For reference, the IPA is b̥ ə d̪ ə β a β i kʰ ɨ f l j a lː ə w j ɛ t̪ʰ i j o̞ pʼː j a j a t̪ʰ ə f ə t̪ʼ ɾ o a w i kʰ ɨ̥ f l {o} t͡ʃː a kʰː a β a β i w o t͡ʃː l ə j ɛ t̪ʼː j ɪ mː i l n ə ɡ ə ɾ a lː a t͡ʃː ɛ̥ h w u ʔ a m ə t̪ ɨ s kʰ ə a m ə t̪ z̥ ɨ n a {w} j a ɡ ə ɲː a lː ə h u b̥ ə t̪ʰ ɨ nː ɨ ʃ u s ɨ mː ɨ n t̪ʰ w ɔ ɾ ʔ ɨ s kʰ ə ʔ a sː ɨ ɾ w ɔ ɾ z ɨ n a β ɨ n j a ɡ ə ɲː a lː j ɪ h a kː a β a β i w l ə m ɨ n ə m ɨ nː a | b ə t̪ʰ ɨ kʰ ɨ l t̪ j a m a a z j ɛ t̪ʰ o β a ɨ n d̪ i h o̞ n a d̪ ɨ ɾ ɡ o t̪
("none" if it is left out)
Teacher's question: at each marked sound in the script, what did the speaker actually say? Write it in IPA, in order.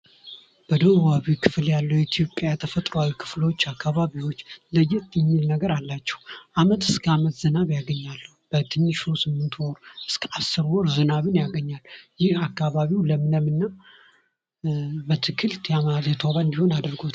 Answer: o, β

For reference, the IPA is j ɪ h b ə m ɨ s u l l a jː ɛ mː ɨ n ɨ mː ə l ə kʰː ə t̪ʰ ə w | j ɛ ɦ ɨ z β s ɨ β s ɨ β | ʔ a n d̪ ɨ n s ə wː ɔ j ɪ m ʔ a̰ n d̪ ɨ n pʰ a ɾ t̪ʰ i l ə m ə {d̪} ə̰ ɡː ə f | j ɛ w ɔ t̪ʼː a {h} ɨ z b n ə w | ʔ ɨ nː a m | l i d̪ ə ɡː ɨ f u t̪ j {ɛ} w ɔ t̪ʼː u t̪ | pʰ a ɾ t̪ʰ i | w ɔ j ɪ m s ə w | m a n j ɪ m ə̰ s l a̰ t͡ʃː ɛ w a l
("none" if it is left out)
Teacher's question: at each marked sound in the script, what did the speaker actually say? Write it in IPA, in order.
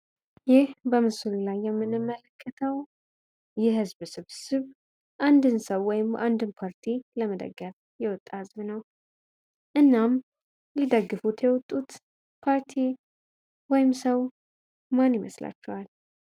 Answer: d̪, h, ɛ

